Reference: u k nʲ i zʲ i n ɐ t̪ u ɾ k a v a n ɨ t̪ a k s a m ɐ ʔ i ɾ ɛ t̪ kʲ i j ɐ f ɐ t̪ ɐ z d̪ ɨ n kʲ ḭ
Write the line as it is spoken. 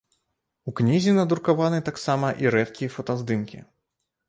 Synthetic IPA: u k nʲ i zʲ i n ɐ d̪ u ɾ k a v a n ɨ t̪ a k s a m ɐ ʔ i ɾ ɛ t̪ kʲ i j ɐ f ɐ t̪ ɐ z d̪ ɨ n kʲ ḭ